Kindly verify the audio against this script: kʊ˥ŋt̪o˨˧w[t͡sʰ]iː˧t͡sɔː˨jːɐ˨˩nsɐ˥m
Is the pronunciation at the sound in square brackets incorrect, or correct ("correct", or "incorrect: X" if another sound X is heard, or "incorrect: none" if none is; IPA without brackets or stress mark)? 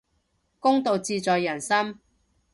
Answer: incorrect: t͡s